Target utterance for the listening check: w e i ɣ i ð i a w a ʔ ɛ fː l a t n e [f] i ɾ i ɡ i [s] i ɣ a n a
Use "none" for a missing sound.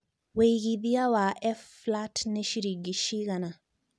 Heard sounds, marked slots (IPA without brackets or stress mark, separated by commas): ʃ, ʃ